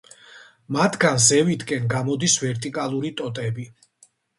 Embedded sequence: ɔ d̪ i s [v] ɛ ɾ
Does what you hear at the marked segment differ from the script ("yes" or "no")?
no